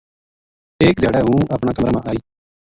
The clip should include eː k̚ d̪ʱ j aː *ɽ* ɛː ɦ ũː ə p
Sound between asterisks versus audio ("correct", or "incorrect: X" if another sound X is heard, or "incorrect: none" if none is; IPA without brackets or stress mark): correct